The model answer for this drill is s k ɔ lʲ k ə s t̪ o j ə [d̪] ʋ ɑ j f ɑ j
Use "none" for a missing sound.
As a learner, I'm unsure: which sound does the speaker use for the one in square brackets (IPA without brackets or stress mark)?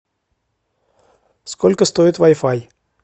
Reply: t̪